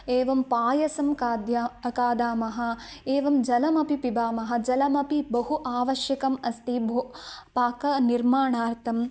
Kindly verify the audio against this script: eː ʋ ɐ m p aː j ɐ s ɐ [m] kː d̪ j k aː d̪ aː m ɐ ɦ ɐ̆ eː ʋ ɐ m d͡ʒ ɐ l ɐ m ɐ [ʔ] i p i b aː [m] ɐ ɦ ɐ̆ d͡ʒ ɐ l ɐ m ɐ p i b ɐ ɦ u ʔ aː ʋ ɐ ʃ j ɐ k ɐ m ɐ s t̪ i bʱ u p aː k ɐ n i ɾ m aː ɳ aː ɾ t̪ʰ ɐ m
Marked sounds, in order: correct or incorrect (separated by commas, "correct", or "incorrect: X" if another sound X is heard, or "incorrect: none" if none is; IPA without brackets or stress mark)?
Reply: correct, incorrect: p, correct